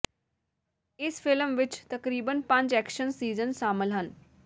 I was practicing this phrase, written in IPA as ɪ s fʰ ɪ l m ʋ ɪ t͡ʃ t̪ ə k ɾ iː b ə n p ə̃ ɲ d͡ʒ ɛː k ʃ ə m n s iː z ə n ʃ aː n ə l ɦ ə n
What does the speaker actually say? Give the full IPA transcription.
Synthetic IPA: ɪ s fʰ ɪ l m ʋ ɪ t͡ʃ t̪ ə k ɾ iː b ə n p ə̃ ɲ d͡ʒ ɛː k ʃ ə n s iː z ə n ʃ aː m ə l ɦ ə n